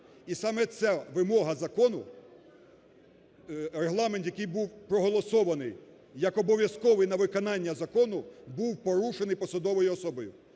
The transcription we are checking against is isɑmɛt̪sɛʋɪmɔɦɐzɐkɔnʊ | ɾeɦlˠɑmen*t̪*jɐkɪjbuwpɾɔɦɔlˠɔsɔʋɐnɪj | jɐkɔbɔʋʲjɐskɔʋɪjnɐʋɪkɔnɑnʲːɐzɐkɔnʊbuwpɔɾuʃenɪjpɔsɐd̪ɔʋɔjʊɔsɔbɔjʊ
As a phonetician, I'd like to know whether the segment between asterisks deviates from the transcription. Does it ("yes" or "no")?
no